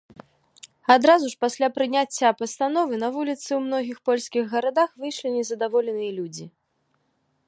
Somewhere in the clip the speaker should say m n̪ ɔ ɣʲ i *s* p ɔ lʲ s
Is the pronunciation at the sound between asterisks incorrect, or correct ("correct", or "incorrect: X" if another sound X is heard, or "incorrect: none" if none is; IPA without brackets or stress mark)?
incorrect: x